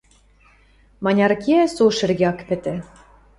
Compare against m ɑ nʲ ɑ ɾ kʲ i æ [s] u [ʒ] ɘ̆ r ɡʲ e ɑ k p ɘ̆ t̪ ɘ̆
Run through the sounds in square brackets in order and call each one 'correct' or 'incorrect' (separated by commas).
correct, incorrect